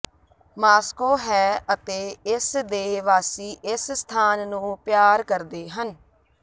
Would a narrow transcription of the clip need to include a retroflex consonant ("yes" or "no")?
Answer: no